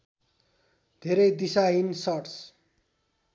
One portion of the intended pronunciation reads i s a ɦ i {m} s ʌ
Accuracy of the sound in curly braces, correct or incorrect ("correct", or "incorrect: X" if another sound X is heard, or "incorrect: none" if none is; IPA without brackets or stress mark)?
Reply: incorrect: n